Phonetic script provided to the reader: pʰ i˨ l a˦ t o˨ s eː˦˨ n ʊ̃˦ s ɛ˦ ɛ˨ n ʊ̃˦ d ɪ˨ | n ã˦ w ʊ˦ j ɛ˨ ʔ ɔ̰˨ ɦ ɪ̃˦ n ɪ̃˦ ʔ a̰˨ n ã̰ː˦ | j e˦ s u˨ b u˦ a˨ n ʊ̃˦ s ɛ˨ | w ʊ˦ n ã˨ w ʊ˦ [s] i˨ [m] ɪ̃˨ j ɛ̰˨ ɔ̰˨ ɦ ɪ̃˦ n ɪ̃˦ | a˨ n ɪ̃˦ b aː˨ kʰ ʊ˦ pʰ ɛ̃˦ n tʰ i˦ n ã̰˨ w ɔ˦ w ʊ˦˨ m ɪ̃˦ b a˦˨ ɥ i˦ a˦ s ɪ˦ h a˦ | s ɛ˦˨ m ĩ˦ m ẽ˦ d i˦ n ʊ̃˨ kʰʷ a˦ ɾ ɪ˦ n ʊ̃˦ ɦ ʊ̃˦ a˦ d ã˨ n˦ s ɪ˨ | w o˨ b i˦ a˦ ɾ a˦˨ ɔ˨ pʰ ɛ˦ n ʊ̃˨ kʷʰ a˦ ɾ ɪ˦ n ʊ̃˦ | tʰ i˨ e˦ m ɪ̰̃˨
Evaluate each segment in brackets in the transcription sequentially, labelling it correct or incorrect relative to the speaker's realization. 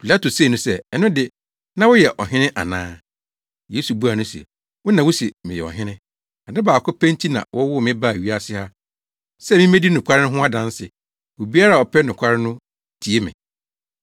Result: correct, correct

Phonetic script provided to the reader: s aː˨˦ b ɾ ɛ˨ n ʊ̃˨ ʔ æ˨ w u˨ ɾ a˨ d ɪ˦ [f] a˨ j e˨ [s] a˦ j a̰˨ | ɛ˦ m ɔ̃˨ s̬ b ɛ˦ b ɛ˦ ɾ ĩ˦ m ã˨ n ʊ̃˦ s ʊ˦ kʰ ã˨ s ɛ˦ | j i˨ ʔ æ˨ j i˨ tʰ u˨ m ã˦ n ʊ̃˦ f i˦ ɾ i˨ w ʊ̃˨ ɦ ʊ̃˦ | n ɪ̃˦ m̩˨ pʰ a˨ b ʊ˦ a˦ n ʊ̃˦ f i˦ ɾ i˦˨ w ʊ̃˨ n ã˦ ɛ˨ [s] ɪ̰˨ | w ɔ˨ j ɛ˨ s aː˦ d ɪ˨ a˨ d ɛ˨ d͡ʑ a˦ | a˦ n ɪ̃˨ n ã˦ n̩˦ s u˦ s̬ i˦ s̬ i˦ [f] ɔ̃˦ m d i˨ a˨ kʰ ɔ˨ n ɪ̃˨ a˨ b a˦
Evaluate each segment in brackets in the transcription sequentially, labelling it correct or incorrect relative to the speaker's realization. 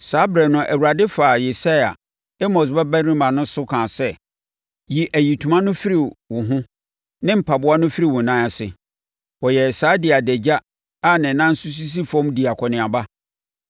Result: correct, correct, correct, correct

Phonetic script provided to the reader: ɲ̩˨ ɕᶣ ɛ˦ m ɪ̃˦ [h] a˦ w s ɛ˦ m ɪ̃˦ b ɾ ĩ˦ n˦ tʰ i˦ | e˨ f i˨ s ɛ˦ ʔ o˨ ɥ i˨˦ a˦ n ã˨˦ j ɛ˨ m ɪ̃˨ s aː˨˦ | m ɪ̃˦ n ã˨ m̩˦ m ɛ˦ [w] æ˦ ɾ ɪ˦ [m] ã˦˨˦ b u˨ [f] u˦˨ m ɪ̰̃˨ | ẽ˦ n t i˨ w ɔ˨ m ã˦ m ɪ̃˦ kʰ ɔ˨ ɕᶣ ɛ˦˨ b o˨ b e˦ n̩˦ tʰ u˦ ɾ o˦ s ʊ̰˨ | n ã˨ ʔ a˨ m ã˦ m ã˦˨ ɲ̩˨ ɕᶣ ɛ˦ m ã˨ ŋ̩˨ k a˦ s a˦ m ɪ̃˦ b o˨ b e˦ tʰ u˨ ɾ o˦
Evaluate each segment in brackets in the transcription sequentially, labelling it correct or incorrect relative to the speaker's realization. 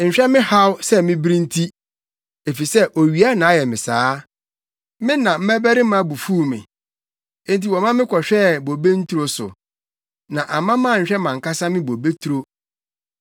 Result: correct, incorrect: b, correct, correct

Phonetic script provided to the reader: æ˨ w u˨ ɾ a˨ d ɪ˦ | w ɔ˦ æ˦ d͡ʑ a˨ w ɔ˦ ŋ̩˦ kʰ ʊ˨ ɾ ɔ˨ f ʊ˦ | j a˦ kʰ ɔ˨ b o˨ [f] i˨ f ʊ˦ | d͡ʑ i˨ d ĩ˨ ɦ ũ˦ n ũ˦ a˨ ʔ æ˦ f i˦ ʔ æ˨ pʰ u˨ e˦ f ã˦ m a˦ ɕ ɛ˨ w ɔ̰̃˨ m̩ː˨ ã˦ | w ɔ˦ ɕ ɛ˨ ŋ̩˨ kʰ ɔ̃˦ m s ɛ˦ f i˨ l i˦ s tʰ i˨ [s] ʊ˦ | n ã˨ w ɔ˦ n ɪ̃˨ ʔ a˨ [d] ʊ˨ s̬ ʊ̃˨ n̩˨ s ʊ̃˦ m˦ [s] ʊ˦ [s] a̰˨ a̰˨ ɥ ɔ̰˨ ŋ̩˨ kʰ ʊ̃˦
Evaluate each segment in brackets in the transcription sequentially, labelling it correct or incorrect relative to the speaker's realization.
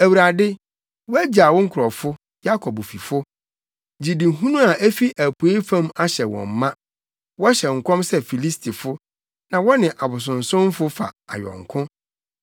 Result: correct, incorrect: f, incorrect: b, incorrect: f, incorrect: f

